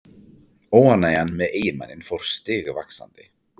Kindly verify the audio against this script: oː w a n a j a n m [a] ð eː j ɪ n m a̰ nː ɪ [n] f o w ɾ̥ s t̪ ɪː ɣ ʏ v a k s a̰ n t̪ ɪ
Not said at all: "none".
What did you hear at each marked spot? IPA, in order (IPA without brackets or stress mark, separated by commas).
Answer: ɛ, n